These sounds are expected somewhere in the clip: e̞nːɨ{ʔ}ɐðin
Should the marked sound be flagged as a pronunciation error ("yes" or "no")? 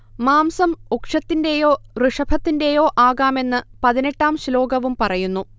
yes